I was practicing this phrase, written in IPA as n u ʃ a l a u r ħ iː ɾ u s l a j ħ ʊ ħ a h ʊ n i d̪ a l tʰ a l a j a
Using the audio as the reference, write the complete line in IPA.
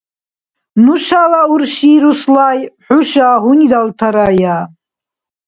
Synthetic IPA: n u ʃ a l a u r ʃ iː ɾ u s l a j ħ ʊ ʃ a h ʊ n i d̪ a l tʰ a ɾ a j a